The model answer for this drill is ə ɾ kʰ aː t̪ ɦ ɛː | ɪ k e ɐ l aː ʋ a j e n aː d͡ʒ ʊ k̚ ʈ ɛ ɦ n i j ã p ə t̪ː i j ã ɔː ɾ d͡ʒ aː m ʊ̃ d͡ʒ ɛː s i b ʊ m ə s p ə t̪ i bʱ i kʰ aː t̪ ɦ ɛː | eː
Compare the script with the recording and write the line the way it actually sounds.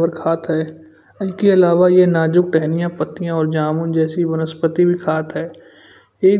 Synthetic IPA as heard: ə ɾ kʰ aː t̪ ɦ ɛː | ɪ k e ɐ l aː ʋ a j e n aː d͡ʒ ʊ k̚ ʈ ɛ ɦ n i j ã p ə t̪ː i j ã ɔː ɾ d͡ʒ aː m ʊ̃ d͡ʒ ɛː s i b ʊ n ə s p ə t̪ i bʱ i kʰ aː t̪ ɦ ɛː | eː